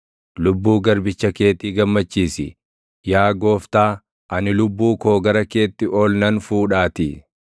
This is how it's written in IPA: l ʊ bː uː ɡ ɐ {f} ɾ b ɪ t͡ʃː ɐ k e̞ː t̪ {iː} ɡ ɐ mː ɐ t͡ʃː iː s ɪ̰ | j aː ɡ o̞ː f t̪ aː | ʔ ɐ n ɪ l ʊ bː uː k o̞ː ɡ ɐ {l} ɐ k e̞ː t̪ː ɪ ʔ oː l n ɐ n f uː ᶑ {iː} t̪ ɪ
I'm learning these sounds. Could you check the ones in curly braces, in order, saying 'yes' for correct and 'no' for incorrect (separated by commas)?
no, yes, no, no